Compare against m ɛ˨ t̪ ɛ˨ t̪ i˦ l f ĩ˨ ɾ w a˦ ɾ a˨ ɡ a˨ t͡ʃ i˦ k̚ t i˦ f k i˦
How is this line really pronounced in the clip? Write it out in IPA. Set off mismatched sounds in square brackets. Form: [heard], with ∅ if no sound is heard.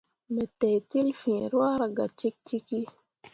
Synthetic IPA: m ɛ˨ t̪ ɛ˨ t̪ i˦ l f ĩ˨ ɾ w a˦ ɾ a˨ ɡ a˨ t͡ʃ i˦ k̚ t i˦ [∅] k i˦

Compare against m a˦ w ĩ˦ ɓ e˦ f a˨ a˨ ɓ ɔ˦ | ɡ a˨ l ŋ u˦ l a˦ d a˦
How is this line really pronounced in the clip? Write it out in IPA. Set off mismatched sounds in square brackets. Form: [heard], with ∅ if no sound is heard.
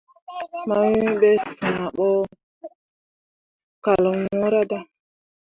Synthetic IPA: m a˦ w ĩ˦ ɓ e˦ [s] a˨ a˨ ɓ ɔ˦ | [k] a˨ l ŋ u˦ [ɾ] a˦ d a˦

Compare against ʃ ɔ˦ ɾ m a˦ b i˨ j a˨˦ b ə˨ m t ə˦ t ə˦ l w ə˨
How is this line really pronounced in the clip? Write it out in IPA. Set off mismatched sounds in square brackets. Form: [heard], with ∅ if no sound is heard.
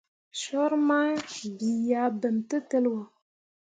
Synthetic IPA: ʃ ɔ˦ ɾ m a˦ b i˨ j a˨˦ b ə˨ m t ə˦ t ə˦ l w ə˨

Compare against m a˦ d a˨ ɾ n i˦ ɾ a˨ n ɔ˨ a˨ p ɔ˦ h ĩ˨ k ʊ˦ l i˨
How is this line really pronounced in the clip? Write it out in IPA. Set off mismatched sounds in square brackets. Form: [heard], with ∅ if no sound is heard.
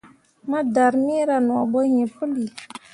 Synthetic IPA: m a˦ d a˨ ɾ [m] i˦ ɾ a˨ n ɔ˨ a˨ [b] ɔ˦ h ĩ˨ [p] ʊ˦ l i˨

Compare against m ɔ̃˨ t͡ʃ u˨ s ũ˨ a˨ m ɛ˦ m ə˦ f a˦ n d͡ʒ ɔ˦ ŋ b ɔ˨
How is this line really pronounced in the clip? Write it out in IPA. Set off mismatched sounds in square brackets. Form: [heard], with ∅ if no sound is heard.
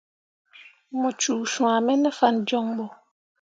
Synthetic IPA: m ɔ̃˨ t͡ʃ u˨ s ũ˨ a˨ m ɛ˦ [n] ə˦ f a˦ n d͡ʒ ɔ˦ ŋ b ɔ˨

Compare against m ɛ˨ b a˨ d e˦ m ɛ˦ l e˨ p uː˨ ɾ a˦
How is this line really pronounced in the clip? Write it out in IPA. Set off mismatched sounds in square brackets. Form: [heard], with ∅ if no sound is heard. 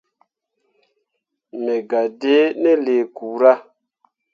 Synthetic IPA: m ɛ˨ [ɡ] a˨ d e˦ [n] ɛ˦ l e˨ [k] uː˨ ɾ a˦

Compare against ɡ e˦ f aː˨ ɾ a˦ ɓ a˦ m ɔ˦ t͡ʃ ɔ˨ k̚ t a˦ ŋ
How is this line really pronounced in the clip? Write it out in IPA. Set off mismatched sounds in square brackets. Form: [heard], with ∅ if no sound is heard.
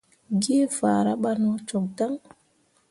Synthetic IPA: ɡ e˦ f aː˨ ɾ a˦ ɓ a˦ [n] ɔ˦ t͡ʃ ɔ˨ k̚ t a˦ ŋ

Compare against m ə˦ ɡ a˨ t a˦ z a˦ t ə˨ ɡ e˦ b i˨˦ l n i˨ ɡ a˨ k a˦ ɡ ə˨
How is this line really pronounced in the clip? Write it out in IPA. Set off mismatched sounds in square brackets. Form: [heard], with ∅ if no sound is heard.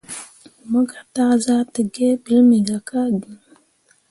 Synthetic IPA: m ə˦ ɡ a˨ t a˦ z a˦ t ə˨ ɡ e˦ b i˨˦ l [m] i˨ ɡ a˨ k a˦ ɡ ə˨

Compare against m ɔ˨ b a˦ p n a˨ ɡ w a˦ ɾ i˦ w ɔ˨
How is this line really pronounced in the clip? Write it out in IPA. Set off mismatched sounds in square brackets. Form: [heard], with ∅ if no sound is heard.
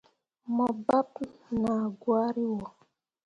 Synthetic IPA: m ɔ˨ b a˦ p n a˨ ɡ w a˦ ɾ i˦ w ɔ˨

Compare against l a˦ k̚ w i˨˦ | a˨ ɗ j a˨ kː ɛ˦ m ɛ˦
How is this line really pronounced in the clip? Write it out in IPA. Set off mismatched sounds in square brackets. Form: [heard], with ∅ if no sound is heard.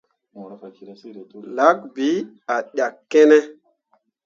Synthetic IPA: l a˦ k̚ [b] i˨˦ | a˨ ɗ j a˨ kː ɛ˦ [n] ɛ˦

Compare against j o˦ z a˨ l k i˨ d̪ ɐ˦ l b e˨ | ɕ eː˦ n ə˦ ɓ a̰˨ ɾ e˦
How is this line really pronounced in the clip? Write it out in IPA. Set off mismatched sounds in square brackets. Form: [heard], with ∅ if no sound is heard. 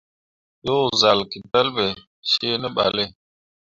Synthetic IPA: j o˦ z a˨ l k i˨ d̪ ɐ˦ l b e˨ | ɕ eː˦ n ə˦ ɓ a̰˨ [l] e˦

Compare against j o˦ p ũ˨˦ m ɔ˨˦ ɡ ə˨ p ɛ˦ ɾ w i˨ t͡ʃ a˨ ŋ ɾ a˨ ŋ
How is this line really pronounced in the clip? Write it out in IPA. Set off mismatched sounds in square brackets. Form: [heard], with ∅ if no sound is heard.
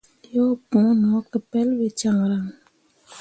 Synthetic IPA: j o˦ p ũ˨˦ [n] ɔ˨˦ [k] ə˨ p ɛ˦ [l] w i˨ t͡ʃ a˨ ŋ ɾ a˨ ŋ

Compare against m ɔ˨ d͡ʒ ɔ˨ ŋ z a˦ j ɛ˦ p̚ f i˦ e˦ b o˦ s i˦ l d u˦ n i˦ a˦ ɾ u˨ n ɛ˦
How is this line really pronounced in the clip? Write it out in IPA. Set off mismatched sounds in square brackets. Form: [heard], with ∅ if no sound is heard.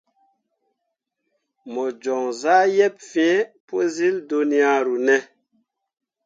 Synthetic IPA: m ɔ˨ d͡ʒ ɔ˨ ŋ z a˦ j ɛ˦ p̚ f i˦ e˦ [p] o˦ [z] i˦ l d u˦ n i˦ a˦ ɾ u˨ n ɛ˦

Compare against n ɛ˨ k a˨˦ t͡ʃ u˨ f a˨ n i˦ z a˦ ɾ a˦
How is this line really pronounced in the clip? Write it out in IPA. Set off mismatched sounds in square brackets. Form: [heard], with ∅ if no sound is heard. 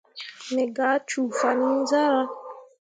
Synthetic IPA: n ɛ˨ [ɡ] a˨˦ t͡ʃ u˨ f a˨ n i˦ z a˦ ɾ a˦

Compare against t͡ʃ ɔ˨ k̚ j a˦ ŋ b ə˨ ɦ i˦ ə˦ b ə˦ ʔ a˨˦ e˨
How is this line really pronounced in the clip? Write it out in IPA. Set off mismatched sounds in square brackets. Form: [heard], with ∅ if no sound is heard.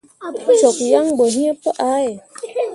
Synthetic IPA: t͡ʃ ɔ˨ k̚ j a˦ ŋ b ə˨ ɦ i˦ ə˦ [p] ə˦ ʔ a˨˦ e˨

